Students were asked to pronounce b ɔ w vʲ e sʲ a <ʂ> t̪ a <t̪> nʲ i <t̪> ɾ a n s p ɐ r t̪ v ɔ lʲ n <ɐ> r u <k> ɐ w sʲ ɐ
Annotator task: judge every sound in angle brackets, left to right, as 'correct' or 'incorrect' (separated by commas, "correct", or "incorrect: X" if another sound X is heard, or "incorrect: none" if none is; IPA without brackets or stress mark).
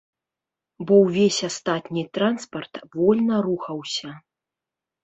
incorrect: s, correct, correct, correct, incorrect: x